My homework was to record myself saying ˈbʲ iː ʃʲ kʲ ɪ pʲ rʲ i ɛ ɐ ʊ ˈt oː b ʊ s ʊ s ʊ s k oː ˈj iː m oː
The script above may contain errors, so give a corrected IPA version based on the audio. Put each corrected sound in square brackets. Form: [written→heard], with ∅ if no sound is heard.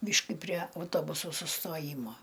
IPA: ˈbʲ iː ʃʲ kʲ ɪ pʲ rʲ i ɛ ɐ ʊ ˈt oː b ʊ s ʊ s ʊ s [k→t] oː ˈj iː m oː